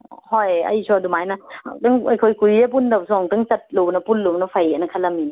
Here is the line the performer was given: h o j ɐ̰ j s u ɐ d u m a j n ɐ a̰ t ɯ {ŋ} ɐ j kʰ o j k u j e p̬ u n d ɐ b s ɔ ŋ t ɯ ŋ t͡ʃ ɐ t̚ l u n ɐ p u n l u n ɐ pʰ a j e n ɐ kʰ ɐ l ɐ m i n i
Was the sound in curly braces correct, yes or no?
yes